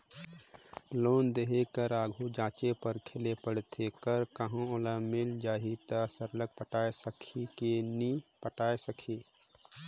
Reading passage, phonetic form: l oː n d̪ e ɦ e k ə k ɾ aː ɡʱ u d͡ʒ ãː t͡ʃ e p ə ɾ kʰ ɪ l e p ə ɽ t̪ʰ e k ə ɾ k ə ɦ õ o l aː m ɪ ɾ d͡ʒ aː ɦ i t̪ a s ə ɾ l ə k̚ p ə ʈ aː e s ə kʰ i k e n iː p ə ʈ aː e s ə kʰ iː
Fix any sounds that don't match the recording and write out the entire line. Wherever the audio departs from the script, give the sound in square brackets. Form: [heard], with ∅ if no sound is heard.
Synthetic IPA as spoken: l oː n d̪ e ɦ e k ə [∅] ɾ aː ɡʱ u d͡ʒ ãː t͡ʃ e p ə ɾ kʰ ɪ l e p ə ɽ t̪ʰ e k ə ɾ k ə ɦ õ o l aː m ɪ [l] d͡ʒ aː ɦ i t̪ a s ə ɾ l ə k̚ p ə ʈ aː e s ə kʰ i k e n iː p ə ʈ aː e s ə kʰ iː